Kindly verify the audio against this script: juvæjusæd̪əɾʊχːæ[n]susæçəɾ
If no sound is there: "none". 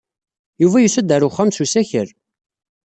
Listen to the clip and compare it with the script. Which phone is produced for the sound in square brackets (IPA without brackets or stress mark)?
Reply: m